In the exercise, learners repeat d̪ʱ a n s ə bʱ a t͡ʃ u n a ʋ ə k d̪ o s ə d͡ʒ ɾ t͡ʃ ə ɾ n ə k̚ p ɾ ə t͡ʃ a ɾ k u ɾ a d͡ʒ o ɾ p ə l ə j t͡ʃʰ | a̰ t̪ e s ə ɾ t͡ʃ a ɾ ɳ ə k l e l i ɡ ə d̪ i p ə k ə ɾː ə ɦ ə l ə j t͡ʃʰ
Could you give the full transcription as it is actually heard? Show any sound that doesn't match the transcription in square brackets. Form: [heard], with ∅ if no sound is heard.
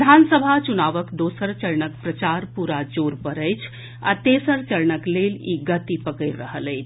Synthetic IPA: d̪ʱ a n s ə bʱ a t͡ʃ u n a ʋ ə k d̪ o s ə [∅] ɾ t͡ʃ ə ɾ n ə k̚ p ɾ ə t͡ʃ a ɾ [p] u ɾ a d͡ʒ o ɾ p ə [ɾ] ə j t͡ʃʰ | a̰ t̪ e s ə ɾ t͡ʃ [ə] ɾ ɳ ə k l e l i ɡ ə [t̪] i p ə k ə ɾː ə ɦ ə l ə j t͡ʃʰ